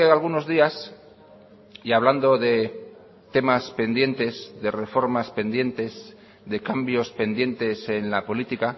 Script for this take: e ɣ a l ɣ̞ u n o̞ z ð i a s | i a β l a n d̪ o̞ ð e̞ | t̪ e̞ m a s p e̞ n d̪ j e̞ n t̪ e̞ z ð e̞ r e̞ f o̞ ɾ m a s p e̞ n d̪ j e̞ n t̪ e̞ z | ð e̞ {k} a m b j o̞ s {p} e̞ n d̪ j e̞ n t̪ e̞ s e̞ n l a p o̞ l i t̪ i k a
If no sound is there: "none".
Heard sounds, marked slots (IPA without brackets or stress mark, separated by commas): k, p